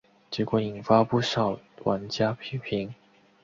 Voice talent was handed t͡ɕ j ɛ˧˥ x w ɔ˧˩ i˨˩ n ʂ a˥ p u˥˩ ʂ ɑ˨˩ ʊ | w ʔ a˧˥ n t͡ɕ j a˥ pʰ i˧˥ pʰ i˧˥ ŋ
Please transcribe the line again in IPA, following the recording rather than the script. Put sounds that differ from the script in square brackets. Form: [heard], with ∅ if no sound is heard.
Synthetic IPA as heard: t͡ɕ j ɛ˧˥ [k] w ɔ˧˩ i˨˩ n [f] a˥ p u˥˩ ʂ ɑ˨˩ ʊ | w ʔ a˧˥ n t͡ɕ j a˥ pʰ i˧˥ pʰ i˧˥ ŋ